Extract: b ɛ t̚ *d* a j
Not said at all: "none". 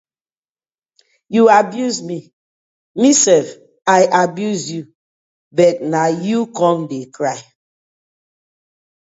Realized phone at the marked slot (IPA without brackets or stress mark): n